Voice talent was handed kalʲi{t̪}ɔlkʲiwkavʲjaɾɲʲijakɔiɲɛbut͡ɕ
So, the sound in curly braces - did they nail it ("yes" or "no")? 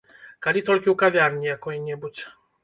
yes